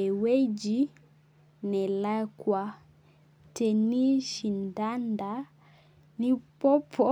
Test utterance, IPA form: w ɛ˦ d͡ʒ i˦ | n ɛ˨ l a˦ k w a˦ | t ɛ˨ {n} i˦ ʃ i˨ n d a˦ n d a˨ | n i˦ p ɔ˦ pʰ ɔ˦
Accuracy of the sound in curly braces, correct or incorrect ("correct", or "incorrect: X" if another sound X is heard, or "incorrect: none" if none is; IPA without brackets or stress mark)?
correct